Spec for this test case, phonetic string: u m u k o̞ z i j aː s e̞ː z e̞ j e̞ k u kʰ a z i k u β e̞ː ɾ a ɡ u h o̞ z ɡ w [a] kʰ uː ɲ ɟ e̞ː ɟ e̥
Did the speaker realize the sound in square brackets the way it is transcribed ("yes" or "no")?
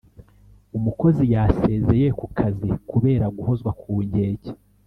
yes